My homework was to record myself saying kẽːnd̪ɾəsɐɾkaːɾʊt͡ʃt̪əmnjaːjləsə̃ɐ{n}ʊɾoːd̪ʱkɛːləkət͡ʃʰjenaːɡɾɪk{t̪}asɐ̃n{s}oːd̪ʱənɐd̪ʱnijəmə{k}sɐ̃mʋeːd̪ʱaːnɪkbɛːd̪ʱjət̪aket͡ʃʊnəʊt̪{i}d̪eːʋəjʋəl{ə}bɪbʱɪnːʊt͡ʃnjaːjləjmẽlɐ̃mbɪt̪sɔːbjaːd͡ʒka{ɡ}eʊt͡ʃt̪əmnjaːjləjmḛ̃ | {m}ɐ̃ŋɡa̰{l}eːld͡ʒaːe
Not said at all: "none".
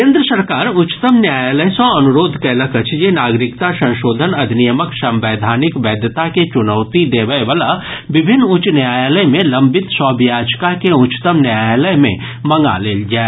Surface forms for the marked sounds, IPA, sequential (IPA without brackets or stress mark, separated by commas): n, t̪, ʃ, k, i, a, k, m, l